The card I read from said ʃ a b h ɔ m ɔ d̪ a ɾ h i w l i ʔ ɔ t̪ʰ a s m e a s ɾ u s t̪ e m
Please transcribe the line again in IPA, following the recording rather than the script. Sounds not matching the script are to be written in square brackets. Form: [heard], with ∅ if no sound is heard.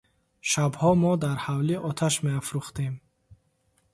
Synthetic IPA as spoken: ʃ a b h ɔ m ɔ d̪ a ɾ h [a] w l i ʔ ɔ t̪ʰ a [ʃ] m e a [f] ɾ u [χ] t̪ e m